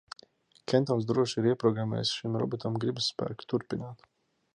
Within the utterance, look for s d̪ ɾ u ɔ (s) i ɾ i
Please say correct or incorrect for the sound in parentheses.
incorrect